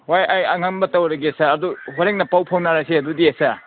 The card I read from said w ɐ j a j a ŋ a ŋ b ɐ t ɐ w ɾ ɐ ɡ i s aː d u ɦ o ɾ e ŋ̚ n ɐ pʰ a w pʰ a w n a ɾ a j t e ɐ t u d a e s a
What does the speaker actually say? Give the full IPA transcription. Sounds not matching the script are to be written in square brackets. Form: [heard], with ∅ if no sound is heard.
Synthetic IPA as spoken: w [a] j a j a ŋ a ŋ b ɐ t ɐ w ɾ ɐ ɡ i s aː d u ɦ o ɾ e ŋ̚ n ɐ [p] a w pʰ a w n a ɾ a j [s] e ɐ [d] u d [i] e s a